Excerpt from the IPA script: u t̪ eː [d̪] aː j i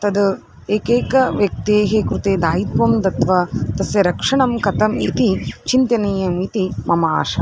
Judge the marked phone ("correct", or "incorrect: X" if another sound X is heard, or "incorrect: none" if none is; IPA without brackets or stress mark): correct